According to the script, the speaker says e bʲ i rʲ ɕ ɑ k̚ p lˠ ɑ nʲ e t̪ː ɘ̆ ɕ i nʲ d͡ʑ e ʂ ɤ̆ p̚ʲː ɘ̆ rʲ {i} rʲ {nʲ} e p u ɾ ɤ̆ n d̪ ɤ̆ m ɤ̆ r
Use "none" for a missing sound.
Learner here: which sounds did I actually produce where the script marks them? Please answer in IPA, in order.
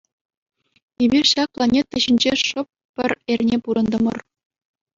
e, nʲ

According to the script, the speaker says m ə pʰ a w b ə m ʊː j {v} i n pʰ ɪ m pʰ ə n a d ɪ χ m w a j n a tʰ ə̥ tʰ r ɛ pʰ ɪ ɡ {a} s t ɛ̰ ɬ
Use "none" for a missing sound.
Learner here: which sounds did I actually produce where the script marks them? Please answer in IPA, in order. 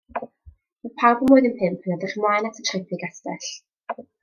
ð, a

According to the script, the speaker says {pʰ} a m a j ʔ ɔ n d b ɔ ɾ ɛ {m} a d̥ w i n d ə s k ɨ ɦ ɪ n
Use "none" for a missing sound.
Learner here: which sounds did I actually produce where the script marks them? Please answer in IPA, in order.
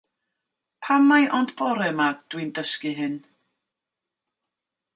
pʰ, m

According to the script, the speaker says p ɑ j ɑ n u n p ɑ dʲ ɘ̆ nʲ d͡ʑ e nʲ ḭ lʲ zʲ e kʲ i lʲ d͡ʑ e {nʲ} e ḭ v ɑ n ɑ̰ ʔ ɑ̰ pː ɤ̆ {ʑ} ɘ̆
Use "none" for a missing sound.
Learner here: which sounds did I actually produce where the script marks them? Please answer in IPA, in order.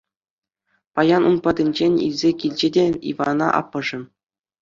dʲ, ʐ

